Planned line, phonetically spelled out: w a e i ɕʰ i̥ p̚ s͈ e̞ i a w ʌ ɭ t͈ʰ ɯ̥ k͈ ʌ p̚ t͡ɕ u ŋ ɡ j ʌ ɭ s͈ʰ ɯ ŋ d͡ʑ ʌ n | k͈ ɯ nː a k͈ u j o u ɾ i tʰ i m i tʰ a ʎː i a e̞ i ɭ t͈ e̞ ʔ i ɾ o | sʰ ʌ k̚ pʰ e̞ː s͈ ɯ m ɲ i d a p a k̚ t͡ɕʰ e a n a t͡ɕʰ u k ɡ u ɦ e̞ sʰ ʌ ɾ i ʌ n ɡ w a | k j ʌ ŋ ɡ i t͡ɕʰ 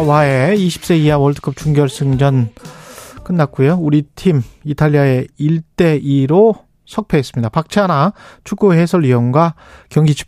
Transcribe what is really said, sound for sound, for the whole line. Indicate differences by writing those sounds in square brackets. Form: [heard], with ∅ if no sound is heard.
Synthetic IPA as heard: w a e i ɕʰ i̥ p̚ s͈ e̞ i a w ʌ ɭ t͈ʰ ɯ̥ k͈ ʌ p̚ t͡ɕ u ŋ ɡ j ʌ ɭ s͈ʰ ɯ ŋ d͡ʑ ʌ n | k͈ ɯ nː a k͈ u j o u ɾ i tʰ i m i tʰ a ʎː i a e̞ i ɭ t͈ e̞ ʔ i ɾ o | sʰ ʌ k̚ pʰ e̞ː s͈ ɯ m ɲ i d a p a k̚ t͡ɕʰ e a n a t͡ɕʰ u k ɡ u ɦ e̞ sʰ ʌ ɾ i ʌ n ɡ w a | k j ʌ ŋ ɡ i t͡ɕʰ